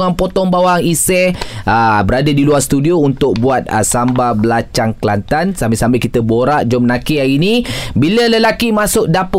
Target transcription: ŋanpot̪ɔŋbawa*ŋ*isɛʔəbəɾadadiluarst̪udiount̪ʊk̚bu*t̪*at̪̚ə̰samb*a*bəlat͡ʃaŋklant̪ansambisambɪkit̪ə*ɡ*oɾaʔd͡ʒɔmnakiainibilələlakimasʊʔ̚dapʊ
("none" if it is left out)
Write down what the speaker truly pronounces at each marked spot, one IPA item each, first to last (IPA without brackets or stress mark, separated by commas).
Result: ŋ, none, a, b